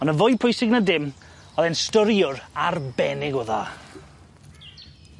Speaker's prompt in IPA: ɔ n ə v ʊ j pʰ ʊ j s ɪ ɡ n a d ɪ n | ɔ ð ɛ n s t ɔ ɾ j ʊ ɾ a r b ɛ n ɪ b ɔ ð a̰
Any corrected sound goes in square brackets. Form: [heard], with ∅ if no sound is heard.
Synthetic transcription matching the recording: ɔ n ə v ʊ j pʰ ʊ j s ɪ ɡ n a d ɪ [m] | ɔ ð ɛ n s t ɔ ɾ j ʊ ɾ a r b ɛ n ɪ [ɡ] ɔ ð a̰